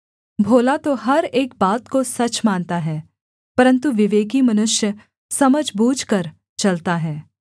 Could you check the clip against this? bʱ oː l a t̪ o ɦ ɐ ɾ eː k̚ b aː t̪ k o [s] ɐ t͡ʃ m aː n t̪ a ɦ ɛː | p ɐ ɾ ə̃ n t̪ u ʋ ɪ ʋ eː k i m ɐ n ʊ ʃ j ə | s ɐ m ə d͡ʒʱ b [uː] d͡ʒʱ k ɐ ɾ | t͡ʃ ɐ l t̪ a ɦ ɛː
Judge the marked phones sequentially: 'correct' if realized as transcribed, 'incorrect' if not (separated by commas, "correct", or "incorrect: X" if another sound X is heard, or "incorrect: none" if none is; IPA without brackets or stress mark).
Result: correct, correct